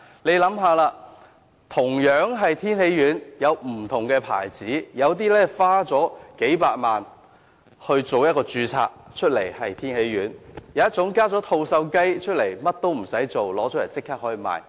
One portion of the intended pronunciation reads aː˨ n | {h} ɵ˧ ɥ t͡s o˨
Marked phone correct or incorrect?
correct